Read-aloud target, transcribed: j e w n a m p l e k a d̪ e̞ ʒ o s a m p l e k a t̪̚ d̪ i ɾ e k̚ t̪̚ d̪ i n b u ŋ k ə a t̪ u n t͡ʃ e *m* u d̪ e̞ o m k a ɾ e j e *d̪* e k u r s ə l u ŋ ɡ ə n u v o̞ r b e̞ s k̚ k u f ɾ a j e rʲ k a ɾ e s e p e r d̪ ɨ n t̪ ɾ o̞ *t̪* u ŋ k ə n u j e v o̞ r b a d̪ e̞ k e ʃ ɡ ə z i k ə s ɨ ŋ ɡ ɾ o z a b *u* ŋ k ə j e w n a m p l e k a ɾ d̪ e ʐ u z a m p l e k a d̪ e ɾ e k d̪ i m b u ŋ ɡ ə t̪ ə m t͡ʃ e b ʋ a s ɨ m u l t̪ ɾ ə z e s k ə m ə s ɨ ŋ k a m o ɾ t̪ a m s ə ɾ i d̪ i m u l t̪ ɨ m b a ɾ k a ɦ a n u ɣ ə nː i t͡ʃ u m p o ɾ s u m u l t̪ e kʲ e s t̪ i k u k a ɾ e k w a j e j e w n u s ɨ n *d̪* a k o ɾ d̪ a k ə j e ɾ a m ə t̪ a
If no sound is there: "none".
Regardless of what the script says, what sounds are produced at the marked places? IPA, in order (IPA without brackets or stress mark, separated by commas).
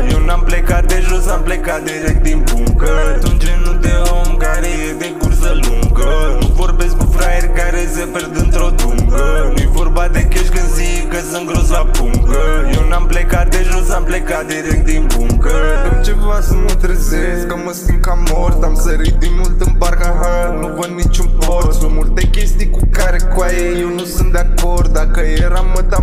n, d̪, d̪, u, d̪